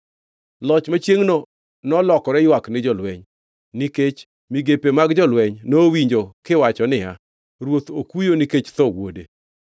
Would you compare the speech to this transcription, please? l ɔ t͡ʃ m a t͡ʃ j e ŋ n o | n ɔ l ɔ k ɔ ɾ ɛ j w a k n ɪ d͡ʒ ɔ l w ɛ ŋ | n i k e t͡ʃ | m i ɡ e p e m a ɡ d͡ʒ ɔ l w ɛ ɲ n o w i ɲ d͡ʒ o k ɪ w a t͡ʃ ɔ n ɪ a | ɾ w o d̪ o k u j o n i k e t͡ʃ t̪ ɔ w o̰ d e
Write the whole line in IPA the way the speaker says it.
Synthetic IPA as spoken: l ɔ t͡ʃ m a t͡ʃ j e ŋ n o | n ɔ l ɔ k ɔ ɾ ɛ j w a k n ɪ d͡ʒ ɔ l w ɛ ɲ | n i k e t͡ʃ | m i ɡ e p e m a ɡ d͡ʒ ɔ l w ɛ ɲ n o w i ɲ d͡ʒ o k ɪ w a t͡ʃ ɔ n ɪ a | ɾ w o t̪ o k u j o n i k e t͡ʃ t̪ ɔ w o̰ d e